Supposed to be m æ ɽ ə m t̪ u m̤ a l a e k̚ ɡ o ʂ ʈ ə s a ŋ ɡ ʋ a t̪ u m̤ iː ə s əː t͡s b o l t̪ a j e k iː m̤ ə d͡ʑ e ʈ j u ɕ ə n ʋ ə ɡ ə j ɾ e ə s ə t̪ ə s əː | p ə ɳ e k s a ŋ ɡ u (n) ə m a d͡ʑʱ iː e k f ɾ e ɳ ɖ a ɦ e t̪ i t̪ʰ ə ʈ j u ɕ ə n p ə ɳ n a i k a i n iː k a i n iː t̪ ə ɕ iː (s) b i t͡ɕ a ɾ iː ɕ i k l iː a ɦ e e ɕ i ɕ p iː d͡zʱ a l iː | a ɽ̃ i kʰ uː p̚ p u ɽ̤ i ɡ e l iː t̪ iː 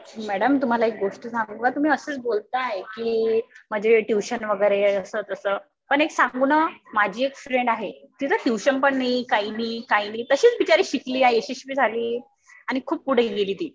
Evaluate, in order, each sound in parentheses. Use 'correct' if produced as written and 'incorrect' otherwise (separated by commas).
correct, incorrect